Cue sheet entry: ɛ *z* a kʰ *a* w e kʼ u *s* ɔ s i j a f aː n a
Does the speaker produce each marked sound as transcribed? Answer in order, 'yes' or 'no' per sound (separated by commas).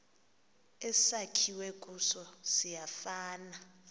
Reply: no, no, yes